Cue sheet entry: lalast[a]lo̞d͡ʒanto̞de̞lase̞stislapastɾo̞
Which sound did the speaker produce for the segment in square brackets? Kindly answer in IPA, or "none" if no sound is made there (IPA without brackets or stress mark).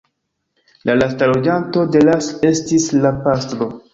a